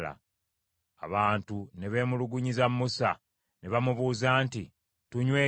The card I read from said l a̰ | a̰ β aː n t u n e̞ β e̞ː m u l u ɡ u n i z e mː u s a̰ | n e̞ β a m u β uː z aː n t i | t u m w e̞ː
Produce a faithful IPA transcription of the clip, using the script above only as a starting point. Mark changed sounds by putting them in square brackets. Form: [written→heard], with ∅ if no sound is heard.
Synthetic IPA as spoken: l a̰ | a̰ β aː n t u n e̞ β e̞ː m u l u ɡ u [n→ɲ] i z [e→a] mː u s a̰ | n e̞ β a m u β uː z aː n t i | t u [m→ɲ] w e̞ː